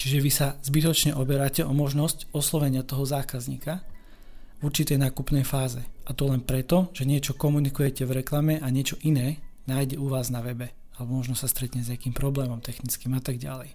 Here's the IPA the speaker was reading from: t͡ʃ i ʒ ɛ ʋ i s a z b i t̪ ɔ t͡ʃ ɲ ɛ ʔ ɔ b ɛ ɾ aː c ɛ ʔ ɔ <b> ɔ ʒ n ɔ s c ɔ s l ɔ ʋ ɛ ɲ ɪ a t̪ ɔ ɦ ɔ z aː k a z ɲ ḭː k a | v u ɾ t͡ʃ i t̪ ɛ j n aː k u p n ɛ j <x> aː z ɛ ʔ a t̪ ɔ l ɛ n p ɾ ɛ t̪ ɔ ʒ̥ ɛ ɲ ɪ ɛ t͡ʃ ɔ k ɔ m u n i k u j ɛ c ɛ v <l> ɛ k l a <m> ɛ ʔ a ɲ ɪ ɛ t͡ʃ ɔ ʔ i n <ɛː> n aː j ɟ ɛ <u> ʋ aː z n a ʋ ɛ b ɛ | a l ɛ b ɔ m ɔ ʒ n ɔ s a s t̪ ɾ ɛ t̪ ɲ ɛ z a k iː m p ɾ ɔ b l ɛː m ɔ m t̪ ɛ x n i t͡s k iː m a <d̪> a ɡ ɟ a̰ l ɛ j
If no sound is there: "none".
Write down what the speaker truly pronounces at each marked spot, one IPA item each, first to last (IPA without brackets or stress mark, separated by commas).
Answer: m, f, ɾ, m, ɛː, u, t̪